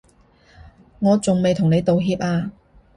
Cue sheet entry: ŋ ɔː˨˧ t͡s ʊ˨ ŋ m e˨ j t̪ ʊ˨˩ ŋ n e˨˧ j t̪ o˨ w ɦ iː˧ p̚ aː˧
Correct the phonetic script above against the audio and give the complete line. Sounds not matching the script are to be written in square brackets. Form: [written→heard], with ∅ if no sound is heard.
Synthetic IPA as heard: ŋ ɔː˨˧ t͡s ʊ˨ ŋ m e˨ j [t̪→t̪ʰ] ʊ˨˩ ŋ n e˨˧ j t̪ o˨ w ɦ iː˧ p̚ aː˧